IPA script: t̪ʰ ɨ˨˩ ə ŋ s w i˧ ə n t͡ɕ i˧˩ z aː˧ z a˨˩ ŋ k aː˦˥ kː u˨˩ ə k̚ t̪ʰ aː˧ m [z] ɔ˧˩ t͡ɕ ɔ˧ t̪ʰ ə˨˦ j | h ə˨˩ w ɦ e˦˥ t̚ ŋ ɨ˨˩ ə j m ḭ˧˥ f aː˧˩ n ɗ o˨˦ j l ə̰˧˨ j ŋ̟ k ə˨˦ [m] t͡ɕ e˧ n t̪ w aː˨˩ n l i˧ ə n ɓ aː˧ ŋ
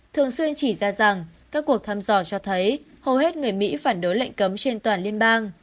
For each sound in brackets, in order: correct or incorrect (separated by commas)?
correct, correct